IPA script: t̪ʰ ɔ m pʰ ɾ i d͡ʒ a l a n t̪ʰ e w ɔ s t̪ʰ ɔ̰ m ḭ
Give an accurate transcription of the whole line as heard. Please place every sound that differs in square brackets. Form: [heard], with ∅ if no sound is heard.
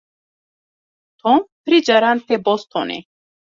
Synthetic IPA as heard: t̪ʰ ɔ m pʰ ɾ i d͡ʒ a [ɾ] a n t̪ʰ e [b] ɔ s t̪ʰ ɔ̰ [n] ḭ